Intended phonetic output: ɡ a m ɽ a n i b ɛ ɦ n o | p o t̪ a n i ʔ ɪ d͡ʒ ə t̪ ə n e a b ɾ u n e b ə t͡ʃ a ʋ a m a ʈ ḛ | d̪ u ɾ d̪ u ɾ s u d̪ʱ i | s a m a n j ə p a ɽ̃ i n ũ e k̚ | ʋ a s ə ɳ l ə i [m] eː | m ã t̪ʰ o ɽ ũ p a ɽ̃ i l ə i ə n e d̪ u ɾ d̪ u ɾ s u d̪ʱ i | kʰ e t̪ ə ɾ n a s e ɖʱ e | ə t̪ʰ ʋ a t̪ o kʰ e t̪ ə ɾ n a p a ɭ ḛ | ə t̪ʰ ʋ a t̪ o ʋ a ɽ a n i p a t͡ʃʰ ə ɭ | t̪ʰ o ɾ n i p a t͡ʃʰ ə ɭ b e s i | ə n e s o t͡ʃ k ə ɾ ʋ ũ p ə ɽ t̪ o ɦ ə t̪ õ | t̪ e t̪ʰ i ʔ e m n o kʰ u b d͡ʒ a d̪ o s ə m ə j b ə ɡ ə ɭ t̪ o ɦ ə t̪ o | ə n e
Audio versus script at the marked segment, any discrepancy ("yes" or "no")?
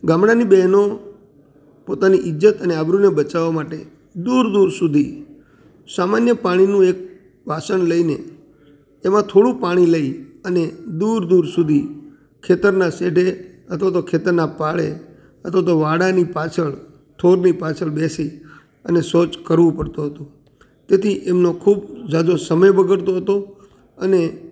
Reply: yes